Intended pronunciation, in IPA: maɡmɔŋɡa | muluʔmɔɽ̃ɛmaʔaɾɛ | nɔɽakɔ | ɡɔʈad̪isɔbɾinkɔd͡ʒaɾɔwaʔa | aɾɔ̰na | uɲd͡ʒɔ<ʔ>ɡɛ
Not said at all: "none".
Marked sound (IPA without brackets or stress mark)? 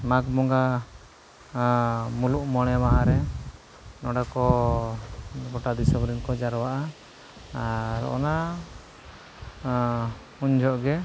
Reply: ʔ